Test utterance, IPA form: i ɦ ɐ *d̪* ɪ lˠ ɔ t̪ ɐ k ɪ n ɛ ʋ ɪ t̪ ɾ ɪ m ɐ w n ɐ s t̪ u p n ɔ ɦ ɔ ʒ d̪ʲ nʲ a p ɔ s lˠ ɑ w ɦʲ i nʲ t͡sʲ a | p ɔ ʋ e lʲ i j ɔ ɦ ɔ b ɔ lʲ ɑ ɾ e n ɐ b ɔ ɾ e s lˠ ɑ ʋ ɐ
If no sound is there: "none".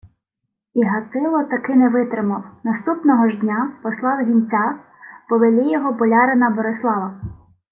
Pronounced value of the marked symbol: t̪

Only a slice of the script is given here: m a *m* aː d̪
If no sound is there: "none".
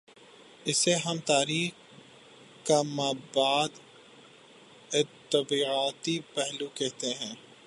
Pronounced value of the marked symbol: b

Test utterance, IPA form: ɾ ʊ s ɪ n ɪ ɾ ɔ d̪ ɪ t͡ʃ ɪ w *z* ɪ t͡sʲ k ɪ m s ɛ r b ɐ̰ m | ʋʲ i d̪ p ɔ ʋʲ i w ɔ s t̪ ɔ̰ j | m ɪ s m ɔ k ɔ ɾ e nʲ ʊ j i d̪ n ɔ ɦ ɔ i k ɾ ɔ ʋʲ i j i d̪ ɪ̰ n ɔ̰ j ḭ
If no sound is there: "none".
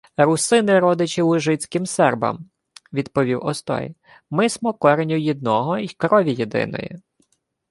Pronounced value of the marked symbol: ʒ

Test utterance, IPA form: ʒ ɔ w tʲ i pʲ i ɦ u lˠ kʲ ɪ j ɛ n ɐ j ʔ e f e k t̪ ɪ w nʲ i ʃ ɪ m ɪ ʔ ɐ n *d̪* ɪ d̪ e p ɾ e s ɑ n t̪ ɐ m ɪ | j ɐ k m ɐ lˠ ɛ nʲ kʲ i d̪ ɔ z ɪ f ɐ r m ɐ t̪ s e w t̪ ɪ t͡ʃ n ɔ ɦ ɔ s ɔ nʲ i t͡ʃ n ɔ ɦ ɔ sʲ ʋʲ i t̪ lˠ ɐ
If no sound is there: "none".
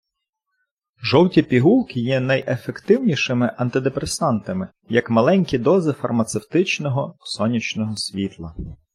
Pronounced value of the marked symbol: t̪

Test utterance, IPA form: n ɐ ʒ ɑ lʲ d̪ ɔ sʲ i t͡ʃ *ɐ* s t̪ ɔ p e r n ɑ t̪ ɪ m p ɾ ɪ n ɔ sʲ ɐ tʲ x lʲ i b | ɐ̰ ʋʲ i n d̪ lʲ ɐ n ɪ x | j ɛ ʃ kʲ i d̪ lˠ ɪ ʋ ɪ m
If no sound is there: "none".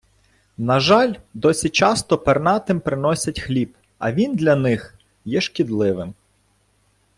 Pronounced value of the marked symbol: ɑ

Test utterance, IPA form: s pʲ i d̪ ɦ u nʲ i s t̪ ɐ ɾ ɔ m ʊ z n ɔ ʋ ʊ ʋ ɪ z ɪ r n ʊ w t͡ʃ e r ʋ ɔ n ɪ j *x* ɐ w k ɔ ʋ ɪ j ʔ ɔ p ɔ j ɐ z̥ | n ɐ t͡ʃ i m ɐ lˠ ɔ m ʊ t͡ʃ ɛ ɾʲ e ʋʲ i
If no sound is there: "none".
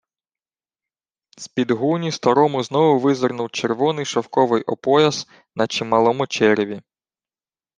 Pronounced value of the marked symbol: ʃ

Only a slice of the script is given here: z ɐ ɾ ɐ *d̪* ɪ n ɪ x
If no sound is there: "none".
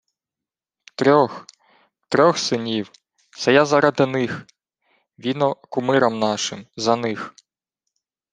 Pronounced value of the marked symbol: d̪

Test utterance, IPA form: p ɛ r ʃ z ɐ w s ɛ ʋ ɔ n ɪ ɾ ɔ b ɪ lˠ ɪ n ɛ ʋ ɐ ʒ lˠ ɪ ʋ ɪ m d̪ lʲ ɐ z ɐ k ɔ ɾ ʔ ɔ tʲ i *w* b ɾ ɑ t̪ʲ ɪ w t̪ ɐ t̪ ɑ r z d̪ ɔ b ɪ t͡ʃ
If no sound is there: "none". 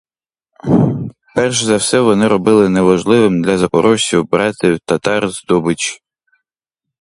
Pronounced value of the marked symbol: w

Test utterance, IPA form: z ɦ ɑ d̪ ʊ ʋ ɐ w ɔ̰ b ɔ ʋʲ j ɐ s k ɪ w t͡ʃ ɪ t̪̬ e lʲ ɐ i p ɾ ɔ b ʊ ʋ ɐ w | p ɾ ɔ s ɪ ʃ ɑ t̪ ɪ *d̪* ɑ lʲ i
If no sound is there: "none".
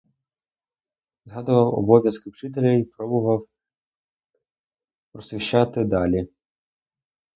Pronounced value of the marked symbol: d̪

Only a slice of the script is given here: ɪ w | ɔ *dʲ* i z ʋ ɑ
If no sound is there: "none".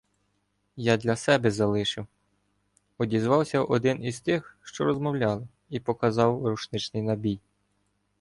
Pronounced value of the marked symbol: dʲ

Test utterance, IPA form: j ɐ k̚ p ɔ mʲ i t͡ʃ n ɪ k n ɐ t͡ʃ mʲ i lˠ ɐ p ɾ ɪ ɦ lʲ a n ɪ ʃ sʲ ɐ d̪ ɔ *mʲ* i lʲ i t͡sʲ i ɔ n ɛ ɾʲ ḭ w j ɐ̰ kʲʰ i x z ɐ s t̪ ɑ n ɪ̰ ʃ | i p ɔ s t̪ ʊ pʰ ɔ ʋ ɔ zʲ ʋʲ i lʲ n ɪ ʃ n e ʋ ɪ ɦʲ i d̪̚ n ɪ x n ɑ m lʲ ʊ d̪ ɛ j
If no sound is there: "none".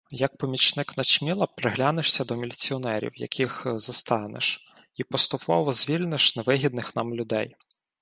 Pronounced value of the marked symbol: mʲ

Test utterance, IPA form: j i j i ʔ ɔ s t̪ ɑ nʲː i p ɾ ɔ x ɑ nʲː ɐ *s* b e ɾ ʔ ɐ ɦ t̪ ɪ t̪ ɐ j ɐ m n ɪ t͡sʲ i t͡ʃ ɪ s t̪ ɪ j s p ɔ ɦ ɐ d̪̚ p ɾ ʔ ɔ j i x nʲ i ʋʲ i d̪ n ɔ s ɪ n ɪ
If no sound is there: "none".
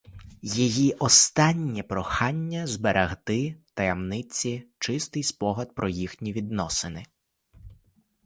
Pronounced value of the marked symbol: z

